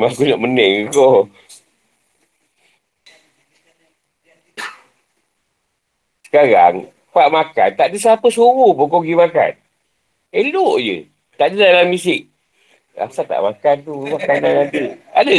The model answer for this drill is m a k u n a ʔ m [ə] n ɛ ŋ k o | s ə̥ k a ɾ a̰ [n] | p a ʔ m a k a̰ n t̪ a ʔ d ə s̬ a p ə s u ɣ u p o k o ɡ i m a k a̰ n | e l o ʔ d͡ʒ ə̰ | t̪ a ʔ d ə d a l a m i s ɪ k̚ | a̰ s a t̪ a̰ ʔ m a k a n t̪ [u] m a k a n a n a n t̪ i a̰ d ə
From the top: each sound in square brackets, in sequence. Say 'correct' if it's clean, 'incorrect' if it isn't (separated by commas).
correct, incorrect, correct